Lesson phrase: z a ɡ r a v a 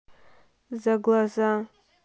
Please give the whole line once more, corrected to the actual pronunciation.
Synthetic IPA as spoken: z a ɡ l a z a